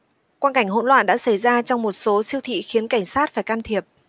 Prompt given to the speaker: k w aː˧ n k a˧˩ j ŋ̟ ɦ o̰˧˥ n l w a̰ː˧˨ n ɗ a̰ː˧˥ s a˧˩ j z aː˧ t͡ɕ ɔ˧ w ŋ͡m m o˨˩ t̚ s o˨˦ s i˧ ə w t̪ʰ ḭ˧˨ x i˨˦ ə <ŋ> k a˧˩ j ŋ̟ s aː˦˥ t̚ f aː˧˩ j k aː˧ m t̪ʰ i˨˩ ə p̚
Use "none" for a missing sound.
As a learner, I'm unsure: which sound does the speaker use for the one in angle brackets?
n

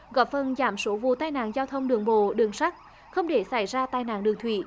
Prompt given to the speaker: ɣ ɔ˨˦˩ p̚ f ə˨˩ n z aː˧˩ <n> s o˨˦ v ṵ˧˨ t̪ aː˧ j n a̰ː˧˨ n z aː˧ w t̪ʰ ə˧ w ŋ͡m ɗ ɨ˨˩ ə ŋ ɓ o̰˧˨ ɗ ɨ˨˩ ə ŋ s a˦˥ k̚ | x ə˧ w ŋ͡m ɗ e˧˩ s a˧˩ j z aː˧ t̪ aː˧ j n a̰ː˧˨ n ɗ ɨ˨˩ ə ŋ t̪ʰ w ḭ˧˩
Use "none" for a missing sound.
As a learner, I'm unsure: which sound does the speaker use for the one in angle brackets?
m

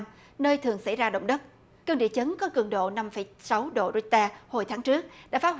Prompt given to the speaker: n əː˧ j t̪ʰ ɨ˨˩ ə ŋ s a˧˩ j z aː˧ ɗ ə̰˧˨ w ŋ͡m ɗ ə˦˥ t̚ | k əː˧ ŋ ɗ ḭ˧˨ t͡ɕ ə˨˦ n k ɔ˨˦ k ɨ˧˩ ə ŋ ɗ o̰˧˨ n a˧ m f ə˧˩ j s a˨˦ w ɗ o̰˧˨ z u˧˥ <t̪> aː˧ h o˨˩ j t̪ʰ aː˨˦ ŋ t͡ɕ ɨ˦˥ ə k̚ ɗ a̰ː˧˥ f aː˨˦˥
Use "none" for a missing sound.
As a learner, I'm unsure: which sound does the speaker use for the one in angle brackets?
t̪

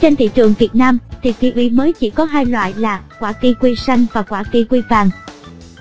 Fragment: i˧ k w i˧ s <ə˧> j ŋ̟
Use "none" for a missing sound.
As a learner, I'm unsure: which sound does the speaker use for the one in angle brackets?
a˧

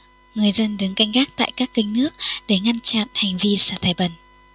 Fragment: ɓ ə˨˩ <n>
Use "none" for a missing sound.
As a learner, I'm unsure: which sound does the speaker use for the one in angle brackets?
n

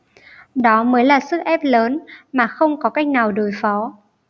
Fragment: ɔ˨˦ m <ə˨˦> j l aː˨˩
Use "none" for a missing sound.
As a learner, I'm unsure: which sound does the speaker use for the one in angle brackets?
əː˨˦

